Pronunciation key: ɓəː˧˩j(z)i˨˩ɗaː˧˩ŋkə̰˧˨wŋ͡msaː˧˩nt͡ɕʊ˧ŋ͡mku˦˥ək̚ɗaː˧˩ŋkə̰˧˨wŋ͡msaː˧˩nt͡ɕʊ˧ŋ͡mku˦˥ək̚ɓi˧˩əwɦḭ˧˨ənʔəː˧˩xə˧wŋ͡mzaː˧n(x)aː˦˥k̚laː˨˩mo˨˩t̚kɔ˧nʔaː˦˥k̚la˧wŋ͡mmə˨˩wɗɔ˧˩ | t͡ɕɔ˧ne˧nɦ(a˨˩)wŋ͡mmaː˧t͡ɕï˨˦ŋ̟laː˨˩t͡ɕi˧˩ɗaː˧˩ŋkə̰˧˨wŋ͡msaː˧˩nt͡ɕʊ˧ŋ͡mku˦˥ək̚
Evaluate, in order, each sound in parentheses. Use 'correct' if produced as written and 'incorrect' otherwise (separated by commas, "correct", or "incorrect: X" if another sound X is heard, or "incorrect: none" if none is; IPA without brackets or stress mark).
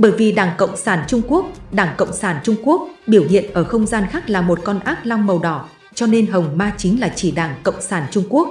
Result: incorrect: v, correct, incorrect: ə˨˩